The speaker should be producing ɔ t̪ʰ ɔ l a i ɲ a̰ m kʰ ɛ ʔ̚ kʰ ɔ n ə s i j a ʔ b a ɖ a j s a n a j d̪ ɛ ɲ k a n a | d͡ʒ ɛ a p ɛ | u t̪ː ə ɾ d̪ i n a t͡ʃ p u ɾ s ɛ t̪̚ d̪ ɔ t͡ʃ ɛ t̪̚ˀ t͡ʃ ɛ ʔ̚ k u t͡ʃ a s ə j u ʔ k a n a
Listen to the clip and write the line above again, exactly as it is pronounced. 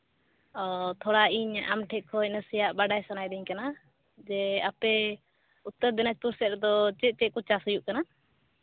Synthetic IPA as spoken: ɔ t̪ʰ ɔ ɽ a i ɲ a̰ m ʈʰ ɛ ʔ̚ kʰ ɔ n ə s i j a ʔ b a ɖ a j s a n a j d̪ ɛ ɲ k a n a | d͡ʒ ɛ a p ɛ | u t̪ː ə ɾ d̪ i n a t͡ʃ p u ɾ s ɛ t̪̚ d̪ ɔ t͡ʃ ɛ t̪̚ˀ t͡ʃ ɛ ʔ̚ k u t͡ʃ a s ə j u ʔ k a n a